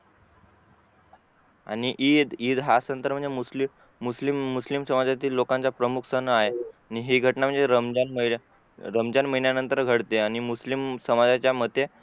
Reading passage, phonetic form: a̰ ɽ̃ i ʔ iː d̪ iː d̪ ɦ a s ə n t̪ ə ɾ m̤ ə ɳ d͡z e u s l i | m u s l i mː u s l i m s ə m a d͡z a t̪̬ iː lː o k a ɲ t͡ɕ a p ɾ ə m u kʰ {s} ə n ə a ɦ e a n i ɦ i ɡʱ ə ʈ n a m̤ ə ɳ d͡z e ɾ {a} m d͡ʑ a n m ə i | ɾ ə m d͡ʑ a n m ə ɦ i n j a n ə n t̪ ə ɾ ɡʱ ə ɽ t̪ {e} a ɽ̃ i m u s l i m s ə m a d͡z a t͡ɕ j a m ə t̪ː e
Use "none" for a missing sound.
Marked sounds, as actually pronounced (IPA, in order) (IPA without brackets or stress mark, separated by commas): s, ə, e